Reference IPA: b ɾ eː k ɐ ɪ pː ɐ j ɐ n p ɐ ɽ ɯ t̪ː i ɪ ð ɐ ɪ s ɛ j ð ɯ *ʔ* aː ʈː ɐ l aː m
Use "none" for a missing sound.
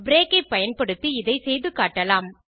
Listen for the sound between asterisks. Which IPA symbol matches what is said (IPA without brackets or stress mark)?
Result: k